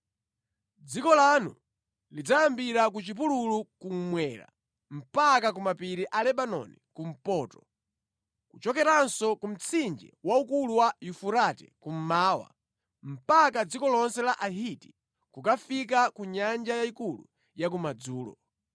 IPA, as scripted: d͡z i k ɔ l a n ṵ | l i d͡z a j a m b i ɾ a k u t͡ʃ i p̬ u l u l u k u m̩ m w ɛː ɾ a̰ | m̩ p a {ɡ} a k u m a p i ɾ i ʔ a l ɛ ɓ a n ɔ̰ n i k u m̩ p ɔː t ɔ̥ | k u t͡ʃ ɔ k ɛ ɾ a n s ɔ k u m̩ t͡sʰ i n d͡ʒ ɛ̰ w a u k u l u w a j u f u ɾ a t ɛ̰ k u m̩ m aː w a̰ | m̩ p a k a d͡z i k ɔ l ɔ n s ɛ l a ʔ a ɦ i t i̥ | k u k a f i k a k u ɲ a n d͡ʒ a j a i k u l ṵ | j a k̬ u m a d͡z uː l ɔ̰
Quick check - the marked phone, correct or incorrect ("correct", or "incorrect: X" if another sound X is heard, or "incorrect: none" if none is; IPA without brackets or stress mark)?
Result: incorrect: k